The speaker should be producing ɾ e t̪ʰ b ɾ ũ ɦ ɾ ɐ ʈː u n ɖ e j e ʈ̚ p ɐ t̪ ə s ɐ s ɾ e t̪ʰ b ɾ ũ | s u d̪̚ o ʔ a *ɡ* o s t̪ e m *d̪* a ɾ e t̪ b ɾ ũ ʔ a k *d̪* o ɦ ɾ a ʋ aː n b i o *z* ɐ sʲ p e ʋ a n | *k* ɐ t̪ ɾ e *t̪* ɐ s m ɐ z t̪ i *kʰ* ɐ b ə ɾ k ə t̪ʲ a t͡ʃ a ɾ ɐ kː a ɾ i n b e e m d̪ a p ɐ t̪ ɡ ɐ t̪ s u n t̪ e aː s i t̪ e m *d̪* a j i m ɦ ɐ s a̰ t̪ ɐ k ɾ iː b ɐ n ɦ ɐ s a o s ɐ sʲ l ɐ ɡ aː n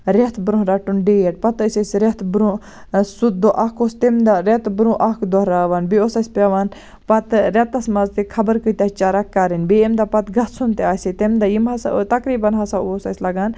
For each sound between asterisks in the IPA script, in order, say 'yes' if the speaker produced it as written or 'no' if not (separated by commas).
no, yes, yes, no, no, yes, yes, yes